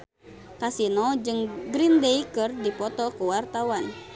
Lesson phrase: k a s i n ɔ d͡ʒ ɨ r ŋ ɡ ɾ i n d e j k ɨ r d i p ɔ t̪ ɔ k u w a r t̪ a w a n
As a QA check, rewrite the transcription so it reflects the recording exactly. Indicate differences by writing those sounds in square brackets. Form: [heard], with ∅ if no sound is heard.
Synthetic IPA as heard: k a s i n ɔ d͡ʒ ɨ [∅] ŋ ɡ ɾ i n d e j k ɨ r d i p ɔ t̪ ɔ k u w a r t̪ a w a n